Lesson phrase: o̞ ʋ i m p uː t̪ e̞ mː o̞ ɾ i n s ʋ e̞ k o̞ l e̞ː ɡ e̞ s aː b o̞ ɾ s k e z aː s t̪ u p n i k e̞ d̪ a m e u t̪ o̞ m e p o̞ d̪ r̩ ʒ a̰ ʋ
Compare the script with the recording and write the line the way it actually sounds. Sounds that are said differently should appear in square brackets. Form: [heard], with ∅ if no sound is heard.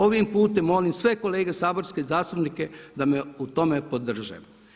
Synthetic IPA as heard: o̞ ʋ i m p uː t̪ e̞ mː o̞ [l] i [m] s ʋ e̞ k o̞ l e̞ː ɡ e̞ s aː b o̞ ɾ s k e z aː s t̪ u p n i k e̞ d̪ a m e u t̪ o̞ m e p o̞ d̪ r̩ ʒ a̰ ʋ